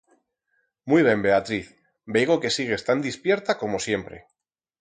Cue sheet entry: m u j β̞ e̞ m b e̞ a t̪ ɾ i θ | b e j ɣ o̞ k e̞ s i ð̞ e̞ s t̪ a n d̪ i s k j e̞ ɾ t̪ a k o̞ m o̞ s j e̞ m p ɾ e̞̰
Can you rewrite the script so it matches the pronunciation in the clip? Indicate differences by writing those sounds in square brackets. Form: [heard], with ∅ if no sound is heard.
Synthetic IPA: m u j β̞ e̞ m b e̞ a t̪ ɾ i θ | b e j ɣ o̞ k e̞ s i [ɣ̞] e̞ s t̪ a n d̪ i s [p] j e̞ ɾ t̪ a k o̞ m o̞ s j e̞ m p ɾ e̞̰